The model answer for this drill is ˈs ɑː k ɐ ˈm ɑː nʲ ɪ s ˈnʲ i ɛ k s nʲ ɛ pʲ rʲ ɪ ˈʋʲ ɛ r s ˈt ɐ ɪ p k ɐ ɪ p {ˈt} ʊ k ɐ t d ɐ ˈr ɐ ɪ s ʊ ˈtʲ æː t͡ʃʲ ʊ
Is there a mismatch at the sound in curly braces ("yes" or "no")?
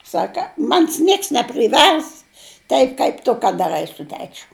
no